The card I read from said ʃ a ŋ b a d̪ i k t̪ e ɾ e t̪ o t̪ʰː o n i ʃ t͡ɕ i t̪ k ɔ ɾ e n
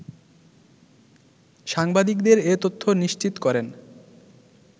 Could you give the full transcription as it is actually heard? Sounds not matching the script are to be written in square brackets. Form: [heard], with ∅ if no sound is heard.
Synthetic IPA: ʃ a ŋ b a d̪ i k [d̪] e ɾ e t̪ o t̪ʰː o n i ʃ t͡ɕ i t̪ k ɔ ɾ e n